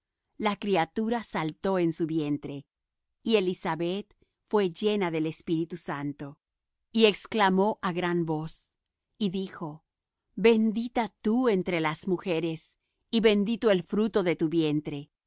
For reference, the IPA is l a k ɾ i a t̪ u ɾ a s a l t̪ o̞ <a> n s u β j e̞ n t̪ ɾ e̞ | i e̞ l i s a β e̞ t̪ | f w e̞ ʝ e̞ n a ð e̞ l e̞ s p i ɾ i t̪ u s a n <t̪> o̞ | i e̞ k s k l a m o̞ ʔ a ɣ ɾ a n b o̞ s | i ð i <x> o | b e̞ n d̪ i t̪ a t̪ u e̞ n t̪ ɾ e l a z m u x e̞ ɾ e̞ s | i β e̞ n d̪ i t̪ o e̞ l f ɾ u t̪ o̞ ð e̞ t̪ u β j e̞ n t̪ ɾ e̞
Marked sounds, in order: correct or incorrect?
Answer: incorrect: e, correct, correct

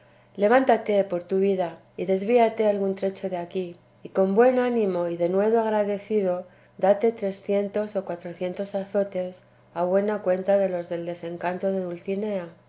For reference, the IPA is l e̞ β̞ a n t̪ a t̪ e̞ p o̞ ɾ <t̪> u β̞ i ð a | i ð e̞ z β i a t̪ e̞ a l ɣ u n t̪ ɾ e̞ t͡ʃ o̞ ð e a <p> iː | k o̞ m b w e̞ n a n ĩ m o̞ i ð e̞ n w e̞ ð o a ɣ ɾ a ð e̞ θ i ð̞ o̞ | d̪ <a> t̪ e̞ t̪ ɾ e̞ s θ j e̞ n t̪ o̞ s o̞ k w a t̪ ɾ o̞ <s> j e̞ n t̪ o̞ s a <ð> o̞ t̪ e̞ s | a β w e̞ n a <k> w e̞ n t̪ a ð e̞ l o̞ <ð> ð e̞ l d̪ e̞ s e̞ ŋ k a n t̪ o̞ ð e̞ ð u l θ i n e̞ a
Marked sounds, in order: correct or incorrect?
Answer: correct, incorrect: k, correct, incorrect: θ, incorrect: θ, correct, incorrect: z

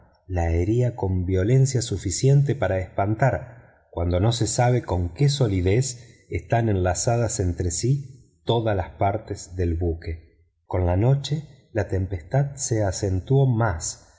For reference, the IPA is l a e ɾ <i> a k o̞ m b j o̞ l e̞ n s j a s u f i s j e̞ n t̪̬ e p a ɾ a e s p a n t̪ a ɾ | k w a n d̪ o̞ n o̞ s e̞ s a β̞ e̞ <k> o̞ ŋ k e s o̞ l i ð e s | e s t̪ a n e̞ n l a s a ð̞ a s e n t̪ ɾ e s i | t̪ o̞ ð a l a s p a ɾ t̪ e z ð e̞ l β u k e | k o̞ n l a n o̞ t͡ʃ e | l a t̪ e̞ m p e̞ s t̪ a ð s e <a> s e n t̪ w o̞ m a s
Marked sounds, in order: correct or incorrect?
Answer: correct, correct, correct

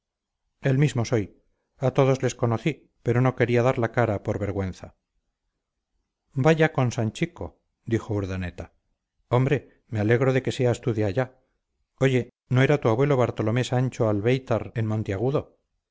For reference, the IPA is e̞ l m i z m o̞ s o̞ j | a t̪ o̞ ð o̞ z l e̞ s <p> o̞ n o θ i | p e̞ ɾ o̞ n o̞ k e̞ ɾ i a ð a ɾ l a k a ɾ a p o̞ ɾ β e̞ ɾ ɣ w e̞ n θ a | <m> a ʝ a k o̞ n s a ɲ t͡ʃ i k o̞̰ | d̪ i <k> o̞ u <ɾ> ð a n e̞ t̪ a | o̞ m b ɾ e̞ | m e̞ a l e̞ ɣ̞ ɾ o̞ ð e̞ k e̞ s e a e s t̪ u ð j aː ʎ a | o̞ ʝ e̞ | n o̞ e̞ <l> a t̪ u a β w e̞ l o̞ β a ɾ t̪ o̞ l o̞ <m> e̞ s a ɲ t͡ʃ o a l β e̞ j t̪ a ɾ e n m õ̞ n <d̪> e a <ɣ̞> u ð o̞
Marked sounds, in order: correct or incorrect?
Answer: incorrect: k, incorrect: b, incorrect: x, correct, incorrect: ɾ, correct, incorrect: t̪, correct

